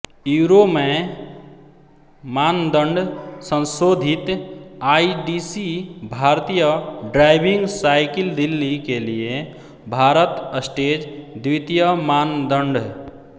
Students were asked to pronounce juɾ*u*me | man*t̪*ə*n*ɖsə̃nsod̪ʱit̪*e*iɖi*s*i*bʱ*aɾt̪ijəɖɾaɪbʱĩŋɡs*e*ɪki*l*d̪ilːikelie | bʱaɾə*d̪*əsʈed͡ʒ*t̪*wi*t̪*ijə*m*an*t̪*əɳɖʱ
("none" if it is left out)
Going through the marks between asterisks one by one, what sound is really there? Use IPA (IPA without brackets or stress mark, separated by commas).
o, d̪, ɳ, a, s, bʱ, a, l, t̪, d̪, t̪, m, d̪